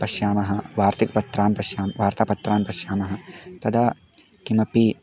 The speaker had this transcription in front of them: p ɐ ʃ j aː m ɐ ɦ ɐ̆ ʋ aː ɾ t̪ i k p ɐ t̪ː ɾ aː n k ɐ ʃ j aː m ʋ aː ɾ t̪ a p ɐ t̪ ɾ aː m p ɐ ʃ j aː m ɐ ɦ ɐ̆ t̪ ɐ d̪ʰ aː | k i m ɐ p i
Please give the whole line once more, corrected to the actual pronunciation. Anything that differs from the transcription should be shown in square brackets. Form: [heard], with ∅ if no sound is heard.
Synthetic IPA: p ɐ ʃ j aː m ɐ ɦ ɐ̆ ʋ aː ɾ t̪ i k p ɐ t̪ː ɾ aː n [p] ɐ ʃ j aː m ʋ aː ɾ t̪ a p ɐ t̪ ɾ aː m p ɐ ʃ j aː m ɐ ɦ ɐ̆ t̪ ɐ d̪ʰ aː | k i m ɐ p i

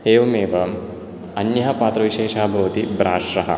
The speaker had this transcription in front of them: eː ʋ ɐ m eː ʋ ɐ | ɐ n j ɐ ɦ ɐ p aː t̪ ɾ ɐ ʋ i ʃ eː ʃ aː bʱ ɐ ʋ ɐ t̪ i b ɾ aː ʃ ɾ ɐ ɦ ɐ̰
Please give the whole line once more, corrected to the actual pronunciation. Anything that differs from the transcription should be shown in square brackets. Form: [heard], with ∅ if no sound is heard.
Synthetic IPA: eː ʋ ɐ m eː ʋ ɐ | ɐ n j ɐ ɦ ɐ p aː t̪ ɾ ɐ ʋ i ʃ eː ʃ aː bʱ ɐ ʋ ɐ t̪ i b ɾ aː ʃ ɾ ɐ ɦ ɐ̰

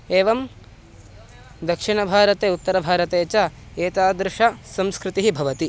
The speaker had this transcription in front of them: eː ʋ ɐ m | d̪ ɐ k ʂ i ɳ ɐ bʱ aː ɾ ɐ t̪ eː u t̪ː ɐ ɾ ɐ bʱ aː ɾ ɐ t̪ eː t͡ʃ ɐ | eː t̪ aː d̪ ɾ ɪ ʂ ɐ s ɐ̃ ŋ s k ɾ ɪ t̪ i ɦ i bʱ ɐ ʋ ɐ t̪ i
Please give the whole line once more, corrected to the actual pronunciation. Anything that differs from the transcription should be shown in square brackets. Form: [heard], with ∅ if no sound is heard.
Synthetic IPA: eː ʋ ɐ m | d̪ ɐ k ʂ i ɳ ɐ bʱ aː ɾ ɐ t̪ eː u t̪ː ɐ ɾ ɐ bʱ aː ɾ ɐ t̪ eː t͡ʃ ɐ | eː t̪ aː d̪ ɾ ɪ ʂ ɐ s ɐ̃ [m] s k ɾ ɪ t̪ i ɦ i bʱ ɐ ʋ ɐ t̪ i

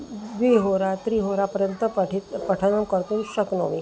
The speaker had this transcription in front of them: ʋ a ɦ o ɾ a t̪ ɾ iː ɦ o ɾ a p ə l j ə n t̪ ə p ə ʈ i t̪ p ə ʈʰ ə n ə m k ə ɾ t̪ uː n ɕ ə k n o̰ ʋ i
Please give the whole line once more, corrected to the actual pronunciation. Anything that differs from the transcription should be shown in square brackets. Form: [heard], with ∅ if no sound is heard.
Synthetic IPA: ʋ [i] ɦ o ɾ a t̪ ɾ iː ɦ o ɾ a p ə [ɾ] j ə n t̪ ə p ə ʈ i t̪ p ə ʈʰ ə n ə m k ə ɾ t̪ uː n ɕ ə k n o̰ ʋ i

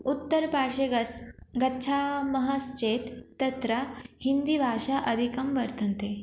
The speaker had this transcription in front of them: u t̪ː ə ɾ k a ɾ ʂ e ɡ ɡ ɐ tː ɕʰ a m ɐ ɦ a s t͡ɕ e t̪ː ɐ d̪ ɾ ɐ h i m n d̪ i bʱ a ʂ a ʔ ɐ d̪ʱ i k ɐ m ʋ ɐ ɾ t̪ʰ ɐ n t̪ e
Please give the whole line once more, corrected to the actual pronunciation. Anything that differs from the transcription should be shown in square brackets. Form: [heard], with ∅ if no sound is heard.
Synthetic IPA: u t̪ː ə ɾ [p] a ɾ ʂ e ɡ ɡ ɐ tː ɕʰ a m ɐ ɦ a s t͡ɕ e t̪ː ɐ [t̪] ɾ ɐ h i [∅] n d̪ i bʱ a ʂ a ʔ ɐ d̪ʱ i k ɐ m ʋ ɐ ɾ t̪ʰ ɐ n t̪ e

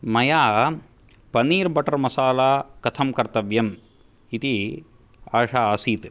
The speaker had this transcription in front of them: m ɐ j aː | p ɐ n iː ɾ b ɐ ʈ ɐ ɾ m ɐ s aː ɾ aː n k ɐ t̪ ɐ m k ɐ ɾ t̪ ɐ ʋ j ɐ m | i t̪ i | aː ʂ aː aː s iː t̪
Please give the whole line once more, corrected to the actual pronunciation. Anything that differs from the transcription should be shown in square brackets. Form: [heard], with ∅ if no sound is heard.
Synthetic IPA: m ɐ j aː | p ɐ n iː ɾ b ɐ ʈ ɐ ɾ m ɐ s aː [l] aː [∅] k ɐ [t̪ʰ] ɐ m k ɐ ɾ t̪ ɐ ʋ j ɐ m | i t̪ i | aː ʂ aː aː s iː t̪

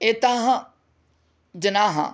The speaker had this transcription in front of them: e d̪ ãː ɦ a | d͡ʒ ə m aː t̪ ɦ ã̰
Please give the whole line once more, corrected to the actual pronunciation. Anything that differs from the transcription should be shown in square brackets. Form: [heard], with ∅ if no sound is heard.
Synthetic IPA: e [t̪] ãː ɦ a | d͡ʒ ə [n] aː [∅] ɦ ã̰

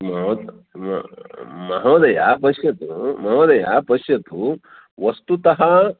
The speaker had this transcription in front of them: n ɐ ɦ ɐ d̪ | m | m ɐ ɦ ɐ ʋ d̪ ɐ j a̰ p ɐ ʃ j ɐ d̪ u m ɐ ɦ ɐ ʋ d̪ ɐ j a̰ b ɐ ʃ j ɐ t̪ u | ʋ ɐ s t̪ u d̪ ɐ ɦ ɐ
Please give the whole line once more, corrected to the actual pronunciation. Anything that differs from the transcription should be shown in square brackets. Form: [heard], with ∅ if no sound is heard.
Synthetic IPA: [m] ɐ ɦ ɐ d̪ | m | m ɐ ɦ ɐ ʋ d̪ ɐ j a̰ p ɐ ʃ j ɐ [t̪] u m ɐ ɦ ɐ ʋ d̪ ɐ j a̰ [p] ɐ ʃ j ɐ t̪ u | ʋ ɐ s t̪ u [t̪] ɐ ɦ ɐ

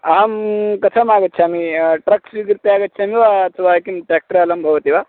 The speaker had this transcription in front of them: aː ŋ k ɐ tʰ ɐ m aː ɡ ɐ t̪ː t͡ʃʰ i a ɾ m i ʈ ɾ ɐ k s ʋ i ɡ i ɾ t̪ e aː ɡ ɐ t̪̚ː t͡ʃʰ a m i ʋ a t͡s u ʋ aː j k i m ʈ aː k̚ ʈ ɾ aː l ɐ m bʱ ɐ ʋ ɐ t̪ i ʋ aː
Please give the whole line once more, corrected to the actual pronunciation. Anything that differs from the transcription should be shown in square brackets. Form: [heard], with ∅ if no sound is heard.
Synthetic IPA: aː [m] k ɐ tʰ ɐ m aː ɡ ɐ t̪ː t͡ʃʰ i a [∅] m i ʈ ɾ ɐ k s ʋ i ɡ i ɾ t̪ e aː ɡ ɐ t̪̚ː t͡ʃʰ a m i ʋ a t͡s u ʋ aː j k i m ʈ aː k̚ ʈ ɾ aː l ɐ m bʱ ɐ ʋ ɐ t̪ i ʋ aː

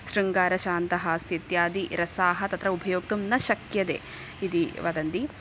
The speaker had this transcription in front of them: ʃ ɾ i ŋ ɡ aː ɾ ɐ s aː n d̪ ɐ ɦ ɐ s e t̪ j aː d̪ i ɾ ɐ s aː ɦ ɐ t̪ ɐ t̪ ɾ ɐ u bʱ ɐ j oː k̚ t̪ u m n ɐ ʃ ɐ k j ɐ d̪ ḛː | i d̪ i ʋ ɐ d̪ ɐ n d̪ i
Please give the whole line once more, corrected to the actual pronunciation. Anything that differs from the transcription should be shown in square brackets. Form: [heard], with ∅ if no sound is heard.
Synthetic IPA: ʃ ɾ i ŋ ɡ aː ɾ ɐ [ʃ] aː n [t̪] ɐ ɦ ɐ s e t̪ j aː d̪ i ɾ ɐ s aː ɦ ɐ t̪ ɐ t̪ ɾ ɐ u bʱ ɐ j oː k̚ t̪ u m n ɐ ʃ ɐ k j ɐ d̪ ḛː | i d̪ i ʋ ɐ d̪ ɐ n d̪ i

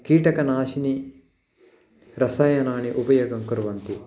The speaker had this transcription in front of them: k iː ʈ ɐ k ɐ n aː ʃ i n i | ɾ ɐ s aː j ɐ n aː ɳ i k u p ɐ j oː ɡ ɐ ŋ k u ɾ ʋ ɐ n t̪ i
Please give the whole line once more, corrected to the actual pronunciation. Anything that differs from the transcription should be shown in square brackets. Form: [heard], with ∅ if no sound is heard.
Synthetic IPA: k iː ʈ ɐ k ɐ n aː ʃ i n i | ɾ ɐ s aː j ɐ n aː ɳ i [ʔ] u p ɐ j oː ɡ ɐ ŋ k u ɾ ʋ ɐ n t̪ i

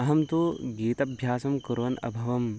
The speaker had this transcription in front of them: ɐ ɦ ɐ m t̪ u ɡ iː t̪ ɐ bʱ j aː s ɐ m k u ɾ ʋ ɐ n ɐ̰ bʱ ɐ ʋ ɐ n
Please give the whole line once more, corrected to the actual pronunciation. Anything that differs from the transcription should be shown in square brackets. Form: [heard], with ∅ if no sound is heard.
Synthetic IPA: ɐ ɦ ɐ m t̪ u ɡ iː t̪ ɐ bʱ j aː s ɐ m k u ɾ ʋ ɐ n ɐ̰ bʱ ɐ ʋ ɐ [m]

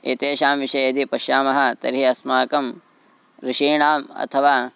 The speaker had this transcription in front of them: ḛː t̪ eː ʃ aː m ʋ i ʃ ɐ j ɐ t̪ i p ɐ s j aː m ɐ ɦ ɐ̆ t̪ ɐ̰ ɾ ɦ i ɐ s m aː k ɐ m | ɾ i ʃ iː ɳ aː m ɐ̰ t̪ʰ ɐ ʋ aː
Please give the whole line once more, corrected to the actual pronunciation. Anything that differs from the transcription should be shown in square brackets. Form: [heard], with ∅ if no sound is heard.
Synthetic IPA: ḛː t̪ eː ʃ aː m ʋ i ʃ ɐ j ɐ [d̪] i p ɐ [ʃ] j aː m ɐ ɦ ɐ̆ t̪ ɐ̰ ɾ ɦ i ɐ s m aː k ɐ m | ɾ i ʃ iː ɳ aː m ɐ̰ t̪ʰ ɐ ʋ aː

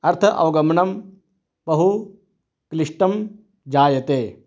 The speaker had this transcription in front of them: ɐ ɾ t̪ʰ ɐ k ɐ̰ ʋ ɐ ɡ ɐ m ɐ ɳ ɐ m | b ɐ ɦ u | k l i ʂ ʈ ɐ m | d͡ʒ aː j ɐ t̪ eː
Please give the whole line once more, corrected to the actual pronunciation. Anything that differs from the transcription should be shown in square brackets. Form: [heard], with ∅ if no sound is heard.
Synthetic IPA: ɐ ɾ t̪ʰ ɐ [ʔ] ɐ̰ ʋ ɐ ɡ ɐ m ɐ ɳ ɐ m | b ɐ ɦ u | k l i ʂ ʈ ɐ m | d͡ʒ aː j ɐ t̪ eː

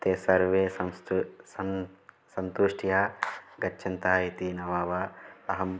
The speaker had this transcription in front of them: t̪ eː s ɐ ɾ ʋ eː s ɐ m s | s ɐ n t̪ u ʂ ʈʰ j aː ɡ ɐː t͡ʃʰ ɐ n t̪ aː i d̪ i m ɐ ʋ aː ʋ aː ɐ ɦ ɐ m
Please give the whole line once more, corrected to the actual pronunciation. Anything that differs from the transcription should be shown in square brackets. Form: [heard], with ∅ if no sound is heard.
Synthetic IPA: t̪ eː s ɐ ɾ ʋ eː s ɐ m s | s ɐ n t̪ u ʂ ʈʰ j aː ɡ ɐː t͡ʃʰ ɐ n t̪ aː i [t̪] i [n] ɐ ʋ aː ʋ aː ɐ ɦ ɐ m

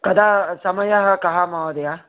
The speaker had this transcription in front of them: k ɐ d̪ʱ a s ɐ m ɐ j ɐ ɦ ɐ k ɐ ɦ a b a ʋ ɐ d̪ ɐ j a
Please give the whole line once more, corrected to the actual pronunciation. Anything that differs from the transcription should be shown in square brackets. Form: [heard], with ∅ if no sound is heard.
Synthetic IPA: k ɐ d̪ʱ a s ɐ m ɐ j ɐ ɦ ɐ k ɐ ɦ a [m] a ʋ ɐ d̪ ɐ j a

